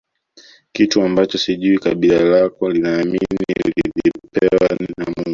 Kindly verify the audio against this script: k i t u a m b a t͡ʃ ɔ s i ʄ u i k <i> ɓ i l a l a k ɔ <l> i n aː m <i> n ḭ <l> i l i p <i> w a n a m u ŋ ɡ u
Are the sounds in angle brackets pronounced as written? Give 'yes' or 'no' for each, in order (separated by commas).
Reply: no, yes, yes, yes, no